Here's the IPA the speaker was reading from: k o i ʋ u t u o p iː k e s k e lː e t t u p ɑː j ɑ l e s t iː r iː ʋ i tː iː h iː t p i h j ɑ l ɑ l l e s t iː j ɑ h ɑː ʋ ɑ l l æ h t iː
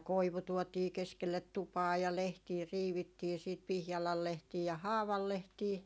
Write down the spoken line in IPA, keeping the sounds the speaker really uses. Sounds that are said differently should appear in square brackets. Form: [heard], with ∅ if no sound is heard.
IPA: k o i ʋ u t u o [t] iː k e s k e lː e t t u p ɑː j ɑ l e [h] t iː r iː ʋ i tː iː [s] iː t p i h j ɑ l ɑ l l e [h] t iː j ɑ h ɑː ʋ ɑ l l [e] h t iː